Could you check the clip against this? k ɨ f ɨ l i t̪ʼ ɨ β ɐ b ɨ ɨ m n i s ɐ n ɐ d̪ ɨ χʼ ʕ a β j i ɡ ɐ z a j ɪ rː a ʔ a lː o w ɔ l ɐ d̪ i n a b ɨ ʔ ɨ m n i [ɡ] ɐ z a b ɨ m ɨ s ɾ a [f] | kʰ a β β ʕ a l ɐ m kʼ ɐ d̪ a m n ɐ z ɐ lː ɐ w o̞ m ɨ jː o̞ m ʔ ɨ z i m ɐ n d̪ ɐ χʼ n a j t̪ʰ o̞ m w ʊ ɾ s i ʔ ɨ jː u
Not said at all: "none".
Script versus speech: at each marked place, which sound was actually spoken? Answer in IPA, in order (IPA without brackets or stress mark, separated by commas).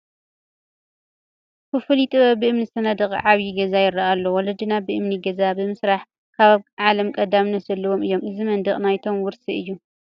ɡ, ħ